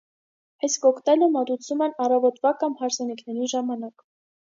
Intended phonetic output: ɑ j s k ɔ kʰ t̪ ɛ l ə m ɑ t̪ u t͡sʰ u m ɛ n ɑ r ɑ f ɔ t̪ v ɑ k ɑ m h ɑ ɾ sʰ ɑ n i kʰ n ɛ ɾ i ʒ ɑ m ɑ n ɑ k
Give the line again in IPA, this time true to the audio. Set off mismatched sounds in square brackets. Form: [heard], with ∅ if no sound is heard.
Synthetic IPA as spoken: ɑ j s k ɔ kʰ t̪ ɛ l ə m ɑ t̪ u t͡sʰ u m ɛ n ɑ r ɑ [v] ɔ t̪ v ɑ k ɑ m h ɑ ɾ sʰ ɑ n i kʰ n ɛ ɾ i ʒ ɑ m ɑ n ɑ k